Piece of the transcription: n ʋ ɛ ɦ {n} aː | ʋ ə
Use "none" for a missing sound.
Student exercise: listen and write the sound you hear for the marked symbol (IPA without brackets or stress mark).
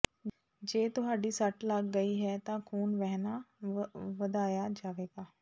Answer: n